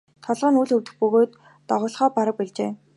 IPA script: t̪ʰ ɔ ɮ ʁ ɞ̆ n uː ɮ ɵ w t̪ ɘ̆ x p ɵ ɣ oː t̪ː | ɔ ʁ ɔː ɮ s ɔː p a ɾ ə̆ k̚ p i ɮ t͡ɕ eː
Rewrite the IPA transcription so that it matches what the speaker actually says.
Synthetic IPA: t̪ʰ ɔ ɮ ʁ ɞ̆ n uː ɮ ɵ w t̪ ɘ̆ x p ɵ ɣ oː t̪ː | ɔ ʁ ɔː ɮ χ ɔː p a ɾ ə̆ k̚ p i ɮ t͡ɕ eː